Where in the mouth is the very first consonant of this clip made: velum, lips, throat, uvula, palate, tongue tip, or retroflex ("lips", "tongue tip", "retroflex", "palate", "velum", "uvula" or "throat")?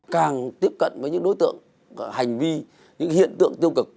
velum